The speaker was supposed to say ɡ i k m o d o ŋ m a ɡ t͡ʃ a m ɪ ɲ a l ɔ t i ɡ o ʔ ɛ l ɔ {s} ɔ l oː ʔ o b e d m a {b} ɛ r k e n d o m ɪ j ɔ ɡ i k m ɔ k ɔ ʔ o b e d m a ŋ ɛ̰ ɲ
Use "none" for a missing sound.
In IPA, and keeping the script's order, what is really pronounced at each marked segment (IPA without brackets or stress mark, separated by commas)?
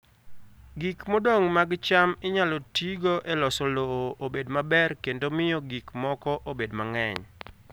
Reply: s, b